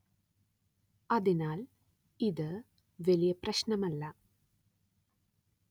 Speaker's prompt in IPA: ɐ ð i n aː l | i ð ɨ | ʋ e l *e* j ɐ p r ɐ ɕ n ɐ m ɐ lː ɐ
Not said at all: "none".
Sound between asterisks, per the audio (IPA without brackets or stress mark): i